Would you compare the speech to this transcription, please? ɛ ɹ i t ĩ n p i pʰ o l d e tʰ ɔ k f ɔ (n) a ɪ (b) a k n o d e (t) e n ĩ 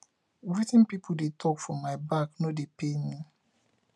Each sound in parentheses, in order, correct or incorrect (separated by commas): incorrect, correct, incorrect